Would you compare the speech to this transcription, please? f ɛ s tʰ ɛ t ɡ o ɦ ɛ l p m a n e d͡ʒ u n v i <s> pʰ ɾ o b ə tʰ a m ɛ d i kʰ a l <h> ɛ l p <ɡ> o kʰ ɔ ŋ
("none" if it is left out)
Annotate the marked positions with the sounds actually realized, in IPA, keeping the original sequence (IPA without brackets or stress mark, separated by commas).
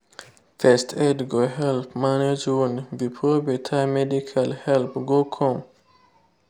none, h, ɡ